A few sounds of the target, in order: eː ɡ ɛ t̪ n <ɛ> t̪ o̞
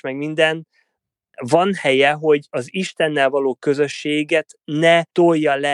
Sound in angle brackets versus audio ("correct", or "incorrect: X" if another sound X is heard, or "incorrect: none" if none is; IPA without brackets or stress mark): correct